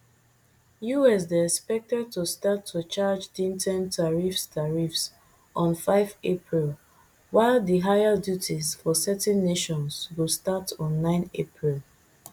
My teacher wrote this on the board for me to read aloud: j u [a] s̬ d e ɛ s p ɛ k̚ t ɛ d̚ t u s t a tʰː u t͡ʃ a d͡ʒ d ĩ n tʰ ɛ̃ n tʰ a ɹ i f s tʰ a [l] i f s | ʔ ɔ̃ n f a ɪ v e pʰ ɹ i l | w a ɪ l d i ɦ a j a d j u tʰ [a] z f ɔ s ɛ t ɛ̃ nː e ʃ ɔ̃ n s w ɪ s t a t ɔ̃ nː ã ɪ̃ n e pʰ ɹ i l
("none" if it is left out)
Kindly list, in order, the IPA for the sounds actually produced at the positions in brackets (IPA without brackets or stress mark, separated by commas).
ɛ, ɹ, i